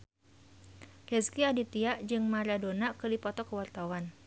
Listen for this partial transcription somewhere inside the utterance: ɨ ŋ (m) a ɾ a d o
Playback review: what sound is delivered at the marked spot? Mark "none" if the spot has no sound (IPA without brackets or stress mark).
m